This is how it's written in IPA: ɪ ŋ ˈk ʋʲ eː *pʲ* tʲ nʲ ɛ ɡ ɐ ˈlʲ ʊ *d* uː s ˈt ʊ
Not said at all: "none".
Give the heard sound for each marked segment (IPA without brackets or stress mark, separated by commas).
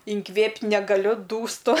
pʲ, d